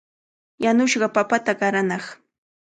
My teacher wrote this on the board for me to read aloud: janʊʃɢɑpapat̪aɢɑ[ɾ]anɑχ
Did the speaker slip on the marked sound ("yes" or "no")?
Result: no